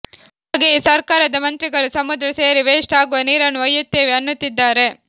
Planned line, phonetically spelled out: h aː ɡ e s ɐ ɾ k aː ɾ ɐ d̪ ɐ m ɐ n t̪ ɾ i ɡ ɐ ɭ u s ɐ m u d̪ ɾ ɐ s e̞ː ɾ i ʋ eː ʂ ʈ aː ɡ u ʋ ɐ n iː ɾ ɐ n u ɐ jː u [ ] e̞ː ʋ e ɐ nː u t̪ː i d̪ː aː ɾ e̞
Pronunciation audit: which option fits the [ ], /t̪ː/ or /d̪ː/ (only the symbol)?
t̪ː